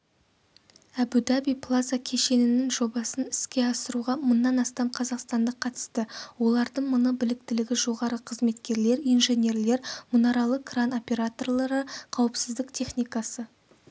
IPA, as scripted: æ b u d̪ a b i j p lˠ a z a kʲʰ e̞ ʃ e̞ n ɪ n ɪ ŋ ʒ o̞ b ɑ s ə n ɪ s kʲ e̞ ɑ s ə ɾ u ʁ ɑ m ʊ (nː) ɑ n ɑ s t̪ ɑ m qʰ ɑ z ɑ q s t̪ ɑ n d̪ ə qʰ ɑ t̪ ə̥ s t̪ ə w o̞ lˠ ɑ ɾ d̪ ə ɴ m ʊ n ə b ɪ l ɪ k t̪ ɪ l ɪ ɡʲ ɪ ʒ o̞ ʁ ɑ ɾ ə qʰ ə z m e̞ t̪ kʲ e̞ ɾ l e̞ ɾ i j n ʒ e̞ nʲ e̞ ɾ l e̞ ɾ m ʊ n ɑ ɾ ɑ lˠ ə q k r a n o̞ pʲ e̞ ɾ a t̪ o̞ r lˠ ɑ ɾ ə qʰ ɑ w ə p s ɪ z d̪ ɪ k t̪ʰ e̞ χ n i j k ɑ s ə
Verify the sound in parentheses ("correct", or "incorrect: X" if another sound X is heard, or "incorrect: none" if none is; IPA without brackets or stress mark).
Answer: correct